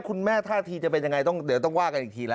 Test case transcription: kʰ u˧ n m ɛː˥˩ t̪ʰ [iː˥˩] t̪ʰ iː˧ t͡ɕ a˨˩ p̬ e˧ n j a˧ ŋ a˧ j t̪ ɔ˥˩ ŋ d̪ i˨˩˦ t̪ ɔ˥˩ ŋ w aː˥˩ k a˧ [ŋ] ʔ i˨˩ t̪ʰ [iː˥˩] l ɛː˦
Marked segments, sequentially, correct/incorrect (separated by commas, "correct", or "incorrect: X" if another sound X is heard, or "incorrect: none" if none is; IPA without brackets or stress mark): incorrect: aː˥˩, incorrect: n, incorrect: iː˧